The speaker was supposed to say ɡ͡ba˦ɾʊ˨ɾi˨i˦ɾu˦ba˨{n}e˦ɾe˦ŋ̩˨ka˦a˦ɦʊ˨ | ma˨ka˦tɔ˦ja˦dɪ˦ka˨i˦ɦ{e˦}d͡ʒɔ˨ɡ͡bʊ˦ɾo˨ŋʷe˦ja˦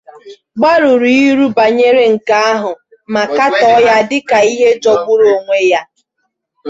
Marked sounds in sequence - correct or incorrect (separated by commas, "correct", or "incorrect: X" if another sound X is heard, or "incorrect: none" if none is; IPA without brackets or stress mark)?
incorrect: ɲ, correct